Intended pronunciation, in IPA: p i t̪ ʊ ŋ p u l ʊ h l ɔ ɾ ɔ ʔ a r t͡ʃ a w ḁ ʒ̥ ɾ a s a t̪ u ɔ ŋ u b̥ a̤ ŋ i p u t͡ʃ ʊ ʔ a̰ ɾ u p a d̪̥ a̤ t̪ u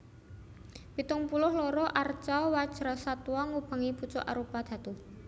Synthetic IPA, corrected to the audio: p i t̪ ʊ ŋ p u l ʊ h l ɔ ɾ ɔ ʔ a r t͡ʃ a w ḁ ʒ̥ ɾ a s a t̪ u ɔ ŋ u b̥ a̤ ŋ i p u t͡ʃ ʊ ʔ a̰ ɾ u p a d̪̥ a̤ t̪ u